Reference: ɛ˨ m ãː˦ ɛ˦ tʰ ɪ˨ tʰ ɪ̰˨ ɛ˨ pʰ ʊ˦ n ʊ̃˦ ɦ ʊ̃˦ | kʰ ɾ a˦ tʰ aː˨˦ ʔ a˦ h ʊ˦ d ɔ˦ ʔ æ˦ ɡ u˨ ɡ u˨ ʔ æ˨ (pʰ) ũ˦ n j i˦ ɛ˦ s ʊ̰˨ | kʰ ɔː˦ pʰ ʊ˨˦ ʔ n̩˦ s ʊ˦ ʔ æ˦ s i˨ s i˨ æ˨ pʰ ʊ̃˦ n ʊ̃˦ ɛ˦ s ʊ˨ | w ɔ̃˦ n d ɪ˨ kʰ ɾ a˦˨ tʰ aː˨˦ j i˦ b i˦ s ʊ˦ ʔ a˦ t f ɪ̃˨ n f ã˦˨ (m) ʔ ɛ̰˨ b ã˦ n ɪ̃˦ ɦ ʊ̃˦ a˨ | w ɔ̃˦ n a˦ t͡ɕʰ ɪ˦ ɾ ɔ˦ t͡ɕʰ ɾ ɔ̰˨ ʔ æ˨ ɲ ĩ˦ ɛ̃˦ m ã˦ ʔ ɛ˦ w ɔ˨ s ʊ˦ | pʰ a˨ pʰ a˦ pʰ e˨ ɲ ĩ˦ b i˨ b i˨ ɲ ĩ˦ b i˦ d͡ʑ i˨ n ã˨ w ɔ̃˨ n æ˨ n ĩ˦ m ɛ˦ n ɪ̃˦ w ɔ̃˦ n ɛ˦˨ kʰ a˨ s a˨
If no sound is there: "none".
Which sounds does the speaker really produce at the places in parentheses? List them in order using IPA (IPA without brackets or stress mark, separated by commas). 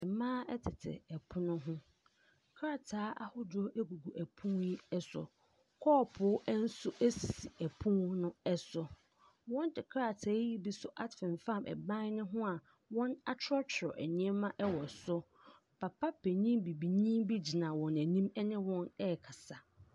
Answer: pʰ, m